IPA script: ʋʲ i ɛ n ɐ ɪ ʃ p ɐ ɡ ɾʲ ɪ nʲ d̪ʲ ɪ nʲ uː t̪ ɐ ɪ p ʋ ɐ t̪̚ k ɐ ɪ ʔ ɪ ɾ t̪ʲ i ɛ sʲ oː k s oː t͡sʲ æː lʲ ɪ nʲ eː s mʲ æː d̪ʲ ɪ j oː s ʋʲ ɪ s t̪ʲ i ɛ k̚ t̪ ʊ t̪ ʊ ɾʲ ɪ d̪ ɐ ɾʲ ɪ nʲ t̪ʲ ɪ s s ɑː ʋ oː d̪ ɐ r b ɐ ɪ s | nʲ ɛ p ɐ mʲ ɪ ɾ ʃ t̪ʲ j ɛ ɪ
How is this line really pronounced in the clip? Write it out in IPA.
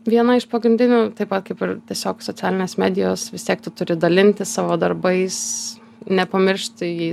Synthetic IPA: ʋʲ i ɛ n ɐ ɪ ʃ p ɐ ɡ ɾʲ ɪ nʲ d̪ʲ ɪ nʲ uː t̪ ɐ ɪ p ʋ ɐ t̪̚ k ɐ ɪ p ɪ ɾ t̪ʲ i ɛ sʲ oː k s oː t͡sʲ æː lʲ ɪ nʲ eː s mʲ æː d̪ʲ ɪ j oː s ʋʲ ɪ s t̪ʲ i ɛ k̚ t̪ ʊ t̪ ʊ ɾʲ ɪ d̪ ɐ lʲ ɪ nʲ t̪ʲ ɪ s s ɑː ʋ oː d̪ ɐ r b ɐ ɪ s | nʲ ɛ p ɐ mʲ ɪ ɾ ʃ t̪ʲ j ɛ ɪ